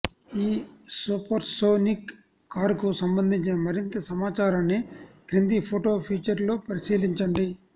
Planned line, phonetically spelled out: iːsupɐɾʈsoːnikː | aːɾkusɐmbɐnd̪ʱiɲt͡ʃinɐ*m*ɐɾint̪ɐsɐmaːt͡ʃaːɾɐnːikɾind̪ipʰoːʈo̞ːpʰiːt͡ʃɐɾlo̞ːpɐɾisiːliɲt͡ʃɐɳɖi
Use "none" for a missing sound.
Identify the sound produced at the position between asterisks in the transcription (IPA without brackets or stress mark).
m